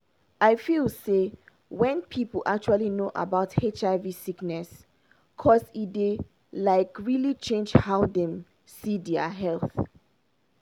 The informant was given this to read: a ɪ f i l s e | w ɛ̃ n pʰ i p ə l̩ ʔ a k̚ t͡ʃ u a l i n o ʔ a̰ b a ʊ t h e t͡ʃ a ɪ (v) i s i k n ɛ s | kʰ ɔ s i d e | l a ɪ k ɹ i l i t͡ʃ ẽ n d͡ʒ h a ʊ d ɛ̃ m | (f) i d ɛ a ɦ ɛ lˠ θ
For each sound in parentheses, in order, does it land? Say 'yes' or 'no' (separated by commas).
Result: yes, no